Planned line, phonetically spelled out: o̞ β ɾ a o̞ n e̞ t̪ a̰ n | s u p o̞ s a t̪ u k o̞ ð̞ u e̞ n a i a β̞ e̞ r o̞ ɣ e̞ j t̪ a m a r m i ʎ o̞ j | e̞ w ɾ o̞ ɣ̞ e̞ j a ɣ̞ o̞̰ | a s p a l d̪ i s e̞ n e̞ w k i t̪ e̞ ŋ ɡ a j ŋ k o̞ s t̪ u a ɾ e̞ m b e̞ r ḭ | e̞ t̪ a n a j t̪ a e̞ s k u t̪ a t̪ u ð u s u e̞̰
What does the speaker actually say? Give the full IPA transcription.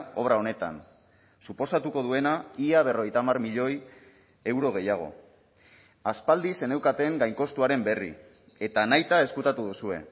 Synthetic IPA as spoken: o̞ β ɾ a o̞ n e̞ t̪ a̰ n | s u p o̞ s a t̪ u k o̞ ð̞ u e̞ n a i a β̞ e̞ r o̞ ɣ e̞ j t̪ a m a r m i ʎ o̞ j | e̞ w ɾ o̞ ɣ̞ e̞ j a ɣ̞ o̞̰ | a s p a l d̪ i s e̞ n e̞ w k a t̪ e̞ ŋ ɡ a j ŋ k o̞ s t̪ u a ɾ e̞ m b e̞ r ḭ | e̞ t̪ a n a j t̪ a e̞ s k u t̪ a t̪ u ð u s u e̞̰

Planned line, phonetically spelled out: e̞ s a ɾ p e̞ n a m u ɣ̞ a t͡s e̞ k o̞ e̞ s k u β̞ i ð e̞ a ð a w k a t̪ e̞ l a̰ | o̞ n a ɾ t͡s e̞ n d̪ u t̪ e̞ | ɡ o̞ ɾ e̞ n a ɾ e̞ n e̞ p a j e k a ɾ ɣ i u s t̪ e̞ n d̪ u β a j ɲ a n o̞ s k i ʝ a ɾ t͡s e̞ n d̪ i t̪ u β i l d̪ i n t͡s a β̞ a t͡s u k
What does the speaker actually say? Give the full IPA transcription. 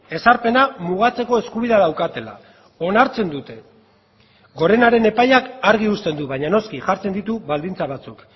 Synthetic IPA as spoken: e̞ s a ɾ p e̞ n a m u ɣ̞ a t͡s e̞ k o̞ e̞ s k u β̞ i ð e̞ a ð a w k a t̪ e̞ l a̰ | o̞ n a ɾ t͡s e̞ n d̪ u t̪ e̞ | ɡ o̞ ɾ e̞ n a ɾ e̞ n e̞ p a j a k a ɾ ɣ i u s t̪ e̞ n d̪ u β a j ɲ a n o̞ s k i ʝ a ɾ t͡s e̞ n d̪ i t̪ u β a l d̪ i n t͡s a β̞ a t͡s u k

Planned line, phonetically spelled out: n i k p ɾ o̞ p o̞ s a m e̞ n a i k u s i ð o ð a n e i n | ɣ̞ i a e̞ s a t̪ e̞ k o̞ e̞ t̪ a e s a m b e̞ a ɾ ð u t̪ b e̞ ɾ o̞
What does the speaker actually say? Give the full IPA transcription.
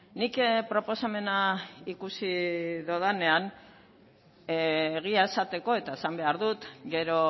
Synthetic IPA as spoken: n i k p ɾ o̞ p o̞ s a m e̞ n a i k u s i ð o ð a n e a n | ɣ̞ i a e̞ s a t̪ e̞ k o̞ e̞ t̪ a e s a m b e̞ a ɾ ð u t̪ ɡ e̞ ɾ o̞

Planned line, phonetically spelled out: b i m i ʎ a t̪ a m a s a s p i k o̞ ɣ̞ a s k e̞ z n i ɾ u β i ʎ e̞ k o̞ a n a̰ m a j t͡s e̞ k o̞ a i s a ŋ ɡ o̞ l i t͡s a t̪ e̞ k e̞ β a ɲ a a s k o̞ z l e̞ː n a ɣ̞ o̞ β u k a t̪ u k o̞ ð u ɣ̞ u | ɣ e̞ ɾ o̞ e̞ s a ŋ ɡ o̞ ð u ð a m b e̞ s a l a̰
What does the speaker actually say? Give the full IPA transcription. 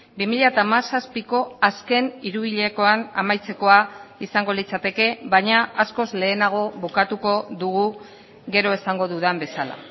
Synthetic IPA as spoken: b i m i ʎ a t̪ a m a s a s p i k o̞ a s k e̞ n i ɾ u β i ʎ e̞ k o̞ a n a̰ m a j t͡s e̞ k o̞ a i s a ŋ ɡ o̞ l i t͡s a t̪ e̞ k e̞ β a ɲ a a s k o̞ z l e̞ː n a ɣ̞ o̞ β u k a t̪ u k o̞ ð u ɣ̞ u | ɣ e̞ ɾ o̞ e̞ s a ŋ ɡ o̞ ð u ð a m b e̞ s a l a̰

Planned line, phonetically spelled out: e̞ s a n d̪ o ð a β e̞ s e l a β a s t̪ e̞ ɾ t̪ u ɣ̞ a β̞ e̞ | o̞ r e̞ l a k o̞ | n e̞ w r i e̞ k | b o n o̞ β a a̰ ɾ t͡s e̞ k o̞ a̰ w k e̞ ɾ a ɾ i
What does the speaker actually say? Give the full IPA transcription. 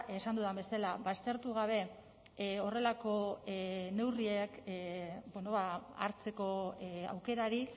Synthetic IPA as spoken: e̞ s a n d̪ u ð a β e̞ s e l a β a s t̪ e̞ ɾ t̪ u ɣ̞ a β̞ e̞ | o̞ r e̞ l a k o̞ | n e̞ w r i e̞ k | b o n o̞ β a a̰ ɾ t͡s e̞ k o̞ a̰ w k e̞ ɾ a ɾ i

